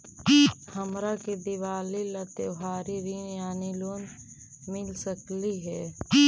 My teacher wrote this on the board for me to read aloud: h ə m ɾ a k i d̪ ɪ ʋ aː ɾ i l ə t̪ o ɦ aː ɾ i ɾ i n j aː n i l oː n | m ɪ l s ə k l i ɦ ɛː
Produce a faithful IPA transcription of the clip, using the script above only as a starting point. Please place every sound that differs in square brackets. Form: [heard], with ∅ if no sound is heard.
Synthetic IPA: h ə m ɾ a k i d̪ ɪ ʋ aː [l] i l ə t̪ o ɦ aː ɾ i ɾ i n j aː n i l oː n | m ɪ l s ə k l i ɦ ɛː